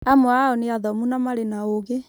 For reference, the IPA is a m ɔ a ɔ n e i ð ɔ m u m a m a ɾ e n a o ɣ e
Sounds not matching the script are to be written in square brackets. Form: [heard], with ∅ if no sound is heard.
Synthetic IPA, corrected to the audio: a m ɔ a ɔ n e [a] ð ɔ m u [n] a m a ɾ e n a o ɣ e